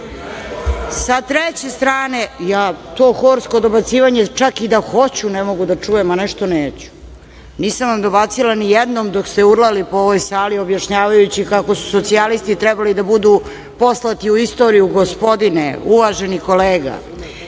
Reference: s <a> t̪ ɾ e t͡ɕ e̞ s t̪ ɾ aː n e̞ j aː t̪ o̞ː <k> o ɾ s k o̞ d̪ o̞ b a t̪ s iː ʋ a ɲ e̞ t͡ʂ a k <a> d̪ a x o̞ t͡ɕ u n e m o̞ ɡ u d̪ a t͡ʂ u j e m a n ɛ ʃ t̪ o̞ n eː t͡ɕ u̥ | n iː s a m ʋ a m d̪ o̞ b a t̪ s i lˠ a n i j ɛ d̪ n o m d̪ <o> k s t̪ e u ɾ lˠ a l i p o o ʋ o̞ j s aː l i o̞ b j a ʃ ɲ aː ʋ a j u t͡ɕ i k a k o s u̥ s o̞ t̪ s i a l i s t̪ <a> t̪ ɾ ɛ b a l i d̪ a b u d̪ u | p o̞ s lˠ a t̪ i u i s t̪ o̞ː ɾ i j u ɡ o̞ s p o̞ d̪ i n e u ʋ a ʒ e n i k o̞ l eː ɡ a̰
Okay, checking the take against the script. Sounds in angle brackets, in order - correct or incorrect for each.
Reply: correct, incorrect, incorrect, correct, incorrect

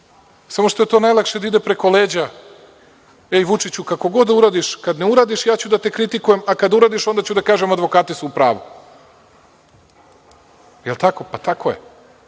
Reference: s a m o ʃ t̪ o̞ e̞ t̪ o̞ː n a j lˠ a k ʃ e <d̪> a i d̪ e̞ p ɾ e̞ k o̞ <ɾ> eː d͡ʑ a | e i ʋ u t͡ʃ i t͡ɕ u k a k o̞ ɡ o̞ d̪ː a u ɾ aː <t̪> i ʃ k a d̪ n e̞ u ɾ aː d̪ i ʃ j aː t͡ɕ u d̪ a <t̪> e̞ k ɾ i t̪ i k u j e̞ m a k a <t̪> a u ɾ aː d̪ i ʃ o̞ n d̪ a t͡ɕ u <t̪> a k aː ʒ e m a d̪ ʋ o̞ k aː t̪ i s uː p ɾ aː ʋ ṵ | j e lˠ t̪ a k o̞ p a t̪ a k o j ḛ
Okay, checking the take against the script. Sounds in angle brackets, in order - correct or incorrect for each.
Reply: correct, incorrect, incorrect, correct, incorrect, incorrect

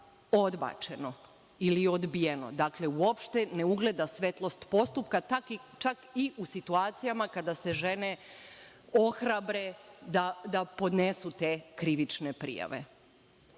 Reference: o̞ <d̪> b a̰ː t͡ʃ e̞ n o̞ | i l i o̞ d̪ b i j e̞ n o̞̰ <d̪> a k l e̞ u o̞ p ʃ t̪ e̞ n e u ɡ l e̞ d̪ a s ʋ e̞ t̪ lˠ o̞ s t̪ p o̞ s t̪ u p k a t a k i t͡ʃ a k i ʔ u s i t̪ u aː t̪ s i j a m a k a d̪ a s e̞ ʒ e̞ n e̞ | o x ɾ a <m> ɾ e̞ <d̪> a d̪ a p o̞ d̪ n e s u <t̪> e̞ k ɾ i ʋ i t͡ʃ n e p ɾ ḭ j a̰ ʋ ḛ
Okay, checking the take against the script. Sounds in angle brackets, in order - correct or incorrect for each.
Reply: correct, correct, incorrect, correct, correct

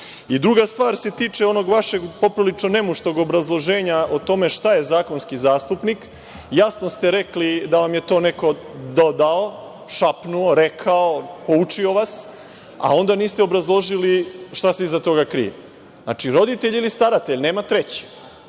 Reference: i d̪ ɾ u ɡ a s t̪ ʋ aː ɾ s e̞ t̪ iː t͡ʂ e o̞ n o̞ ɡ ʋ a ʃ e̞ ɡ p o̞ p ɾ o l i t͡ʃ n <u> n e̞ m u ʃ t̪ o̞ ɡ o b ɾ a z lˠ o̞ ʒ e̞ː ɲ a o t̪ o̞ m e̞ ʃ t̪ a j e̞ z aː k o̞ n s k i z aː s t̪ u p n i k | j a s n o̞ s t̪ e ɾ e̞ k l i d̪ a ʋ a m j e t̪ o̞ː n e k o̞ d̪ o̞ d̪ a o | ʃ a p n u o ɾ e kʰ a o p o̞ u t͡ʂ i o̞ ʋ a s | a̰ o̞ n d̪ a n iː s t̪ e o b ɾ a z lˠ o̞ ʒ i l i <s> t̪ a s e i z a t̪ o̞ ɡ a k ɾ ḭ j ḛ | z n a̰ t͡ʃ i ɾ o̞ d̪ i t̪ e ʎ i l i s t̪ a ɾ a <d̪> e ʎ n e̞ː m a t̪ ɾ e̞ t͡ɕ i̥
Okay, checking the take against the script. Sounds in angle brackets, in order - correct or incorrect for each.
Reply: incorrect, incorrect, incorrect

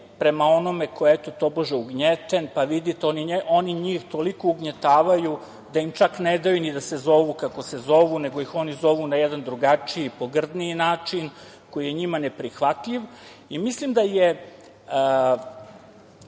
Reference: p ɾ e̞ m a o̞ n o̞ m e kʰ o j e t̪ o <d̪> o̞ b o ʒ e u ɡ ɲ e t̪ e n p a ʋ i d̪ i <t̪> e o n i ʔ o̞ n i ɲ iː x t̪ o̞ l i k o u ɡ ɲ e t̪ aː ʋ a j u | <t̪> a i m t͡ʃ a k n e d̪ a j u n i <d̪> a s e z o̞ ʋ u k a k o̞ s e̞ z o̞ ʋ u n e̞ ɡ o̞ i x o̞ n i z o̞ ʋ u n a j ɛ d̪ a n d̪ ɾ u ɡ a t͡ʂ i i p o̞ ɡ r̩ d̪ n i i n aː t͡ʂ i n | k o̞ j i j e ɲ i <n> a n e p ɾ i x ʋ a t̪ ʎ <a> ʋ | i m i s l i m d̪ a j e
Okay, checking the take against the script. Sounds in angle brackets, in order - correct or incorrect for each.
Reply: incorrect, correct, incorrect, correct, incorrect, incorrect

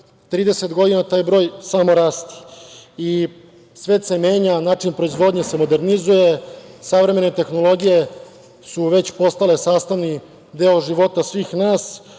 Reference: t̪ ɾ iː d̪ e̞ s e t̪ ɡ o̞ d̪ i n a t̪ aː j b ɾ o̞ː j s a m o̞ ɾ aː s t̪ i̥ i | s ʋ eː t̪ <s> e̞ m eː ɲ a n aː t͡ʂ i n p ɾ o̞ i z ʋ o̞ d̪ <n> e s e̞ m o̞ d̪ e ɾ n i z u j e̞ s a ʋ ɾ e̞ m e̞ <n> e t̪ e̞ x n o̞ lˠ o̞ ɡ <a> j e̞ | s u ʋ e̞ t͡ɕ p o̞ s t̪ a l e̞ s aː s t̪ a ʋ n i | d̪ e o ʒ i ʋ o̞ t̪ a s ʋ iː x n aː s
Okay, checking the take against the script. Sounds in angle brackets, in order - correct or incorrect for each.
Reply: correct, incorrect, correct, incorrect

